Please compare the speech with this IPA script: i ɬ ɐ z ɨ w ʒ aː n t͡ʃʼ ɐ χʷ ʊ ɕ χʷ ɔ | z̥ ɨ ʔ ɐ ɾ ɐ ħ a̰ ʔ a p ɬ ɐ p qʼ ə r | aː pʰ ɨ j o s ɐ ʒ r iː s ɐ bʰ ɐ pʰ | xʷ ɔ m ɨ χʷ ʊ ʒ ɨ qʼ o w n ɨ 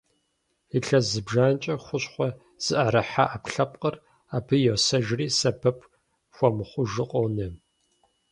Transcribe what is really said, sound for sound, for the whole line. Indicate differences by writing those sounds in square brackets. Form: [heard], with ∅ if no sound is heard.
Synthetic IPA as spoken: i ɬ ɐ z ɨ [b] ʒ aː n t͡ʃʼ ɐ χʷ ʊ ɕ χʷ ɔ | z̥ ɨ ʔ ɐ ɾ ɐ ħ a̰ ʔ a p ɬ ɐ p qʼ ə r | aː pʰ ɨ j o s ɐ ʒ r iː s ɐ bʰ ɐ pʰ | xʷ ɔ m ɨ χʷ ʊ ʒ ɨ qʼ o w n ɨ